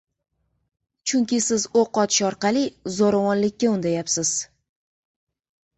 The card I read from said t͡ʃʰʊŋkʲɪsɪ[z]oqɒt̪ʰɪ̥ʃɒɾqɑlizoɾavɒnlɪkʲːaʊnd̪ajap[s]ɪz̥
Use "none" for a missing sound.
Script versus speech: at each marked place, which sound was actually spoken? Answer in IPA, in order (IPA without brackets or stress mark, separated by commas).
z, s